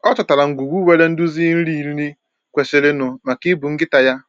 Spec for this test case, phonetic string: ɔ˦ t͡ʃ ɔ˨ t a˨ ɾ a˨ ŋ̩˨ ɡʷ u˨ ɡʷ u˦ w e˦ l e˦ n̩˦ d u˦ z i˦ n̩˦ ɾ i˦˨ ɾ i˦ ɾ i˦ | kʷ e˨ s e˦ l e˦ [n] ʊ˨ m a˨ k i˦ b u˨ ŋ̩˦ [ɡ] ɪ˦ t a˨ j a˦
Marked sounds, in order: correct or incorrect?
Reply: correct, correct

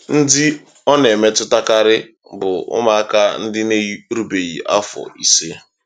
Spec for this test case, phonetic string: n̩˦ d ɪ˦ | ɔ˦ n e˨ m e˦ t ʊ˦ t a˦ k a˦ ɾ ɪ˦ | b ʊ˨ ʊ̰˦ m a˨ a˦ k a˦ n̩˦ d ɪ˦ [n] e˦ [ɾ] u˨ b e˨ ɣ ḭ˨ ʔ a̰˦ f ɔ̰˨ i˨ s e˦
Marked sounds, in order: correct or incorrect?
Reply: correct, correct

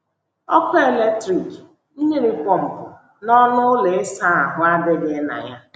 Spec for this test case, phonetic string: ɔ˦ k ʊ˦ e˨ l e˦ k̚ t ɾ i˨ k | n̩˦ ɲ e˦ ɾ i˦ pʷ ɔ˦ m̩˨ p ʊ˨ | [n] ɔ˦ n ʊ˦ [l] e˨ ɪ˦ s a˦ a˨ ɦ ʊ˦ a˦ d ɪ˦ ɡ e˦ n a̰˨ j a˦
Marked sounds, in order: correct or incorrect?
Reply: correct, correct

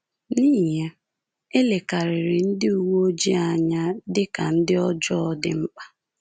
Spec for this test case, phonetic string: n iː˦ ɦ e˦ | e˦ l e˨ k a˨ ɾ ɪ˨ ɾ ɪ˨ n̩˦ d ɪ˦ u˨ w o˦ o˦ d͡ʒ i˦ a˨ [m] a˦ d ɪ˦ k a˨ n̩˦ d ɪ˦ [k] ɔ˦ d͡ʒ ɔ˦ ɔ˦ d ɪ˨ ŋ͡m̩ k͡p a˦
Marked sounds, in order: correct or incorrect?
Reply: incorrect: ɲ, incorrect: none

